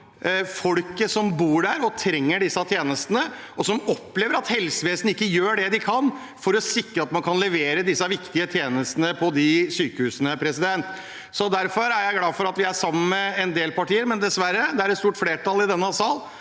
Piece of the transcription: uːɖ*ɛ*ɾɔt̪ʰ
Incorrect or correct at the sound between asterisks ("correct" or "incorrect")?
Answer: incorrect